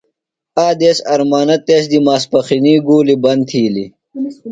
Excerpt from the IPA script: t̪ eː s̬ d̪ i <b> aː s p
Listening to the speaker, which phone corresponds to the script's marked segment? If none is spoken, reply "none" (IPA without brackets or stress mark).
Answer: m